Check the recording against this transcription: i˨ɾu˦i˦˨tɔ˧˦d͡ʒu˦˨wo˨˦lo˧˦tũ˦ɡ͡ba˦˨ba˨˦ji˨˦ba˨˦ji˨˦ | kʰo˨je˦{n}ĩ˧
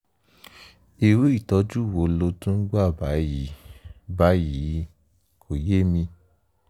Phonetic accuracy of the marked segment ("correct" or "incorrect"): incorrect